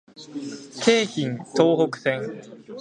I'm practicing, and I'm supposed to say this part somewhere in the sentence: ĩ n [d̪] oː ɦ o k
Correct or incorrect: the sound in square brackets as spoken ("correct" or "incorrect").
incorrect